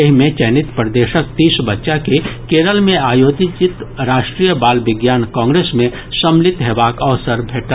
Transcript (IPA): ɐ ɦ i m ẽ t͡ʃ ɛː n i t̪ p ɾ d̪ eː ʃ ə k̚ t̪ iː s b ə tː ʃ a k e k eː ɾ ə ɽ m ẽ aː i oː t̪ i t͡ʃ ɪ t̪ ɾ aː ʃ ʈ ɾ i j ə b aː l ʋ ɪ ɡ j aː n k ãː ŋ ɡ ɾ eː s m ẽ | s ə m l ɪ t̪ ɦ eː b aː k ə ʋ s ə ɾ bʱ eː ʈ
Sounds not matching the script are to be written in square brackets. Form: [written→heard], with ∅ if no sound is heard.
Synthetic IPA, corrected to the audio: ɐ ɦ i m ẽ t͡ʃ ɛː n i t̪ p ɾ d̪ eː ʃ ə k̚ t̪ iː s b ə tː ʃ a k e k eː ɾ ə [ɽ→l] m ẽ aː [i→j] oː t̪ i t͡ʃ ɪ t̪ ɾ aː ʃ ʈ ɾ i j ə b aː l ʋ ɪ ɡ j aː n k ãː ŋ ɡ ɾ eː s m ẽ | s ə m l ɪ t̪ ɦ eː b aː k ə ʋ s ə ɾ bʱ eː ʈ